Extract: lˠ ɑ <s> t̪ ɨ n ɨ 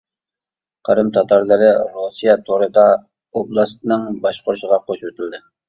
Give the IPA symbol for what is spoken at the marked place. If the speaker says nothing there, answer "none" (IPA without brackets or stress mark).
s